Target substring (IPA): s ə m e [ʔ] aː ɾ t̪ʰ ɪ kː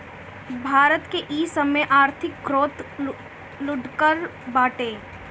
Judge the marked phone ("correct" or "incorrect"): correct